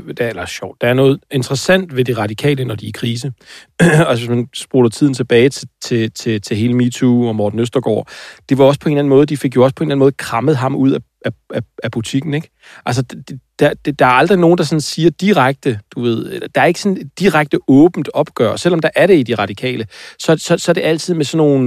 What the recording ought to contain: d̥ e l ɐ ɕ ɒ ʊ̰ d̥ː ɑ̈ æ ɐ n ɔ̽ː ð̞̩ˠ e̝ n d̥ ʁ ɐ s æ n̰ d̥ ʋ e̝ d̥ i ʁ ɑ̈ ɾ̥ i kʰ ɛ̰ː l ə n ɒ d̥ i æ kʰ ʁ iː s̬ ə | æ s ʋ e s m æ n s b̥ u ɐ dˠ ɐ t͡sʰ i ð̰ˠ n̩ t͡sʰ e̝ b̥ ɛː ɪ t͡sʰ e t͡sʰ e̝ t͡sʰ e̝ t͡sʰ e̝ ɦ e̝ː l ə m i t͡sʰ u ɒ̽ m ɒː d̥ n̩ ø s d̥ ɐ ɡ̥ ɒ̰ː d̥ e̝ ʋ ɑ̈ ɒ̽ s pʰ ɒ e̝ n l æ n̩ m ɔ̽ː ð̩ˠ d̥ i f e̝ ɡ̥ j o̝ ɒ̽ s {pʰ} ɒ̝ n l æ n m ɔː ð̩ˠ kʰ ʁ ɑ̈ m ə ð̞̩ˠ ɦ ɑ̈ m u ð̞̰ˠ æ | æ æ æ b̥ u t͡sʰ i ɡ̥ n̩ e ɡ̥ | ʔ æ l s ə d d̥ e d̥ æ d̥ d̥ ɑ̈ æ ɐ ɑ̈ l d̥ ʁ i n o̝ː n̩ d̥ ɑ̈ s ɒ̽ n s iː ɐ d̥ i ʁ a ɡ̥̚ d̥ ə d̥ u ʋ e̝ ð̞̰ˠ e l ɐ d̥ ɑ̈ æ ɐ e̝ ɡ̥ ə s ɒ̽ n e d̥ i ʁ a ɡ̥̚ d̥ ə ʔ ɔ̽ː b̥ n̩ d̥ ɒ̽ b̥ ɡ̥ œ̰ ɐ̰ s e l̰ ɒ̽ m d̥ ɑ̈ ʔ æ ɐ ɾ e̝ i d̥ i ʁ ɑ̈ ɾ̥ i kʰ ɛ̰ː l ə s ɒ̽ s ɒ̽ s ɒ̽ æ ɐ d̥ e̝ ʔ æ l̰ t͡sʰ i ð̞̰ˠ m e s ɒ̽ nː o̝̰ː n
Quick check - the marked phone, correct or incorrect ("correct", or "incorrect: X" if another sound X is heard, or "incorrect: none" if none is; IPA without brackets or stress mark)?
correct